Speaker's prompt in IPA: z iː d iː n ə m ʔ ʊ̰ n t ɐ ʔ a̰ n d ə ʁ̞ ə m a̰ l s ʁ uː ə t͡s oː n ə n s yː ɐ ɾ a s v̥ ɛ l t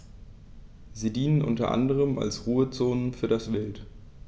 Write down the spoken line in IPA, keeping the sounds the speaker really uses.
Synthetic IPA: z iː d iː n ə n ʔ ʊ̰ n t ɐ ʔ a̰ n d ə ʁ̞ ə m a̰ l s ʁ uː ə t͡s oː n ə n f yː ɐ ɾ a s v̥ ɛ l t